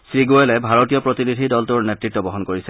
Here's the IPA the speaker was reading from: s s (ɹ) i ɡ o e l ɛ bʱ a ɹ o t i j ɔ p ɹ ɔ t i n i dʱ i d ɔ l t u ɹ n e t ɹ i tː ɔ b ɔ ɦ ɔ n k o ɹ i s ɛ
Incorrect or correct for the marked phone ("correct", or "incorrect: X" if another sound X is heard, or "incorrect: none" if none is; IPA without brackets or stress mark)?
correct